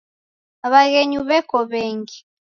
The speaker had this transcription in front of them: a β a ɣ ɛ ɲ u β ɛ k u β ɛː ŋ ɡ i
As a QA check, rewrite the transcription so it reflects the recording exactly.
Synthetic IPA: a β a ɣ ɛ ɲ u β ɛ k ɔ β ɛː ŋ ɡ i